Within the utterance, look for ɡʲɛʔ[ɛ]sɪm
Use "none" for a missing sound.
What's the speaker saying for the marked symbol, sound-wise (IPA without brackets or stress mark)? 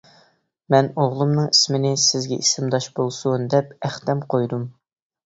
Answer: i